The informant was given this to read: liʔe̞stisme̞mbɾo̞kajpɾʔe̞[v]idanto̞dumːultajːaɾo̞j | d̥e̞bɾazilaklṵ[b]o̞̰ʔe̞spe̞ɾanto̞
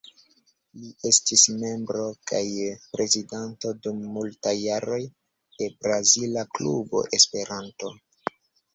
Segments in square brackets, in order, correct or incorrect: incorrect: z, correct

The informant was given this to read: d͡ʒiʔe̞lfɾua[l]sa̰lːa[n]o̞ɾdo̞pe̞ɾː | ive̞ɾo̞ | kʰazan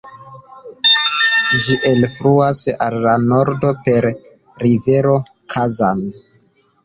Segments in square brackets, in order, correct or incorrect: incorrect: none, correct

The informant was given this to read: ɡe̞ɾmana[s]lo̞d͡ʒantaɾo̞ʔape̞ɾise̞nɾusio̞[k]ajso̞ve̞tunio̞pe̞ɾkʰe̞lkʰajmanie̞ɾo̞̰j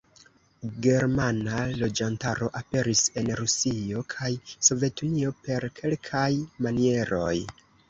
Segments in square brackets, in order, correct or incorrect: incorrect: none, incorrect: kʰ

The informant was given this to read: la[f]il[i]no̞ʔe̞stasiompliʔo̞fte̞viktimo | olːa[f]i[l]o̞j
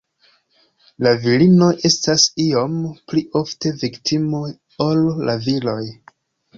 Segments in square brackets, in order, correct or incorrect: incorrect: v, correct, incorrect: v, correct

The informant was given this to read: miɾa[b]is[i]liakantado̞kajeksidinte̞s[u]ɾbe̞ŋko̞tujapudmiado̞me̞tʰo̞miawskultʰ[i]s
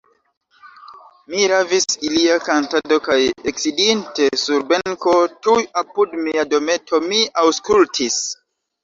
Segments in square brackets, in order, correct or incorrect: incorrect: v, correct, correct, correct

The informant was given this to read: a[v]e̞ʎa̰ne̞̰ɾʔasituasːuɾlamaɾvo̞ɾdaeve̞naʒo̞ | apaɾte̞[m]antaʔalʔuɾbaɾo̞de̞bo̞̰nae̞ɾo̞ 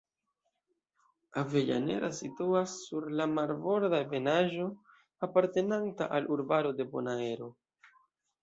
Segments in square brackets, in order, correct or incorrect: correct, incorrect: n

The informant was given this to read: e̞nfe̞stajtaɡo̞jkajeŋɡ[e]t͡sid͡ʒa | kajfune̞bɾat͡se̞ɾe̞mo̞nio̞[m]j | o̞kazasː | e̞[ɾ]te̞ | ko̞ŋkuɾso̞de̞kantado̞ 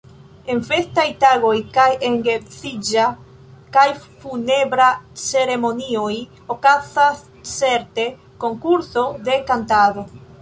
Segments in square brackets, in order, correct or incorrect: correct, incorrect: none, correct

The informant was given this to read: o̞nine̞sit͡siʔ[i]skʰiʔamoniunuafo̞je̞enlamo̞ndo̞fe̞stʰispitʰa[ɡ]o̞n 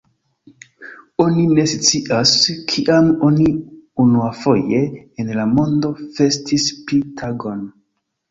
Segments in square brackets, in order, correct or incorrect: incorrect: a, correct

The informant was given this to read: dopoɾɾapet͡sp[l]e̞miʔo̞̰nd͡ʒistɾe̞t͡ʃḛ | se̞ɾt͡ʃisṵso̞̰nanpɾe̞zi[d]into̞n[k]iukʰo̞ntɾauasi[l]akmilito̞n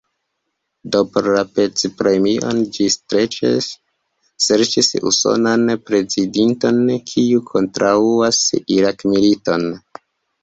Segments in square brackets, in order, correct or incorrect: incorrect: ɾ, correct, incorrect: kʰ, incorrect: ɾ

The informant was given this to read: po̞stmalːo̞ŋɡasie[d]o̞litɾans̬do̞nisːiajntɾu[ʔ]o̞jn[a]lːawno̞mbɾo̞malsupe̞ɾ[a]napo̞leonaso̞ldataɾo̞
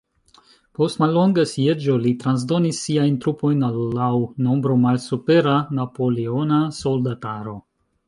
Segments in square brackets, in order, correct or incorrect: incorrect: d͡ʒ, incorrect: p, correct, correct

